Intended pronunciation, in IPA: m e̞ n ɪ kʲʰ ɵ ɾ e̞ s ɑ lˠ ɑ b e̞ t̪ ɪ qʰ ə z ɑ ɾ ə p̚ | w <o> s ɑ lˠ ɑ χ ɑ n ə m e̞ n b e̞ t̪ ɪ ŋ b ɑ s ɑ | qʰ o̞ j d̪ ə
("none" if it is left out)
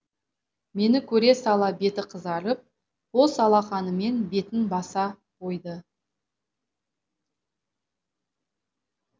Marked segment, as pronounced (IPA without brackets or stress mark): o